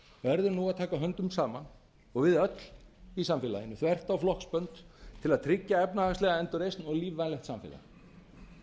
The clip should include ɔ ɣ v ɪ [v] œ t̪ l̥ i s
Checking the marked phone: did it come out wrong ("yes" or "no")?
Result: yes